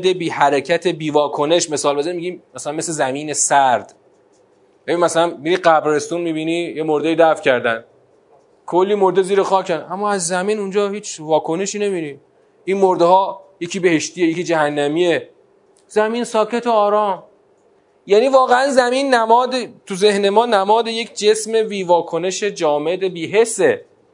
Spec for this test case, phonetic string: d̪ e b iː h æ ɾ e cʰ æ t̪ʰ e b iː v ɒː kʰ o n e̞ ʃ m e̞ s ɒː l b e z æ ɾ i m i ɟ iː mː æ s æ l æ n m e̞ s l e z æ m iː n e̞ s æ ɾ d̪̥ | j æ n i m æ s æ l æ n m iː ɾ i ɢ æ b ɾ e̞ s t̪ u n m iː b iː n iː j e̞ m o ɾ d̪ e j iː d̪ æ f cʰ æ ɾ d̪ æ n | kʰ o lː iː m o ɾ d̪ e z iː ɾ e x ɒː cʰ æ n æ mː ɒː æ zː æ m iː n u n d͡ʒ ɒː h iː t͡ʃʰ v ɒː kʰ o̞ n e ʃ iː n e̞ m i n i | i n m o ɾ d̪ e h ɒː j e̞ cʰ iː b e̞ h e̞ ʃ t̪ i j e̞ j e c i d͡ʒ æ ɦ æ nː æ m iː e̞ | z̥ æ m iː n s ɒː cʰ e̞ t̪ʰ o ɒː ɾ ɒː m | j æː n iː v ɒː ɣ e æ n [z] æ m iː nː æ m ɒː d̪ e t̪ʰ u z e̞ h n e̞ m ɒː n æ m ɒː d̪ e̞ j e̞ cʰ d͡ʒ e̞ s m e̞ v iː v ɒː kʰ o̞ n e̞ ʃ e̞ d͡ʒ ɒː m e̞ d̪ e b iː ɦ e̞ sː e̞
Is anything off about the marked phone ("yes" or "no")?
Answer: no